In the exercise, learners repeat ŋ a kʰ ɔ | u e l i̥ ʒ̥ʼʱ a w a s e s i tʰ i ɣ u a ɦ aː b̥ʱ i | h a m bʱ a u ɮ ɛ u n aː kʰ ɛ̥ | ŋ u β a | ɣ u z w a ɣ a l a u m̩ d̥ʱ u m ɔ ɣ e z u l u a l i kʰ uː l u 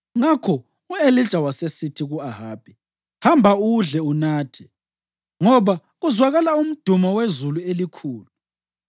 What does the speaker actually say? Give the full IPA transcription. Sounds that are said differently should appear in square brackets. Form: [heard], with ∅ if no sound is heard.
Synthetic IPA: ŋ a kʰ ɔ | u e l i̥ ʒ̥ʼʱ a w a s e s i tʰ i ɣ u a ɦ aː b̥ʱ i | h a m bʱ a u ɮ ɛ u n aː [tʰ] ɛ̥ | ŋ [ɔ] β a | ɣ u z w a ɣ a l a u m̩ d̥ʱ u m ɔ [w] e z u l u [e] l i kʰ uː l u